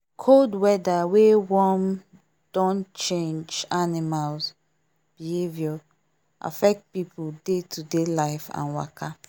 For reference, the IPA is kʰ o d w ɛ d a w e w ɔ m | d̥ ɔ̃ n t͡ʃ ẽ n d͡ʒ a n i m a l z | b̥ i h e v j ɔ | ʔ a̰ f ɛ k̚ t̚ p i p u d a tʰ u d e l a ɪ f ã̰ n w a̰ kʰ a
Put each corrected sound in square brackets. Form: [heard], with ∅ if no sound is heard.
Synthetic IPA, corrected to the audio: kʰ o d w ɛ d a w e w ɔ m | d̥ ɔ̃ n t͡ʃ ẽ n d͡ʒ a n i m a l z | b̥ i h e v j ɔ | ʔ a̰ f ɛ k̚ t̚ p i p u d [e] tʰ u d e l a ɪ f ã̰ n w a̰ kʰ a